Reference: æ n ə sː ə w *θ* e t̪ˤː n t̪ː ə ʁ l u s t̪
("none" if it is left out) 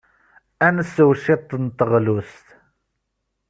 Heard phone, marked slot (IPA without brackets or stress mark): ʃ